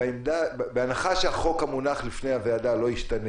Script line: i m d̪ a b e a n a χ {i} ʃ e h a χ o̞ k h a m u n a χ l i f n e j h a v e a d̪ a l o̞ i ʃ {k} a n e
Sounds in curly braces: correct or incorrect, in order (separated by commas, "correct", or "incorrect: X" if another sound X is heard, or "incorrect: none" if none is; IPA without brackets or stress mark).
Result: incorrect: a, incorrect: t